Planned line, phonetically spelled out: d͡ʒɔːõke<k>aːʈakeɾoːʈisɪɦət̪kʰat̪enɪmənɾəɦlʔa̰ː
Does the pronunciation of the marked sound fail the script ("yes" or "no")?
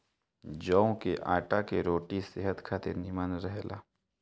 yes